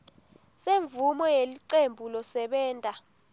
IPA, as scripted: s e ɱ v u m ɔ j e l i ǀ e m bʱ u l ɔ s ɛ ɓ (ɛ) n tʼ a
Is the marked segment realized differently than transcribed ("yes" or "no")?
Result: yes